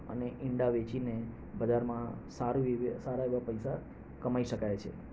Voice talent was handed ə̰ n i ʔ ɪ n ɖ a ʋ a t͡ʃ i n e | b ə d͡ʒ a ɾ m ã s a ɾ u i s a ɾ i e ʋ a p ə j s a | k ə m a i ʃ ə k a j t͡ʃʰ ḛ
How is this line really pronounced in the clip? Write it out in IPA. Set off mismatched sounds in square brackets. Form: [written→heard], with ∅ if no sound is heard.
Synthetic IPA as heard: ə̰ n [i→e] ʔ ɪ [n→ɳ] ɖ a ʋ [a→e] t͡ʃ i n e | b ə d͡ʒ a ɾ m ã s a ɾ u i s a ɾ [i→a] e ʋ a p ə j s a | k ə m a i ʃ ə k a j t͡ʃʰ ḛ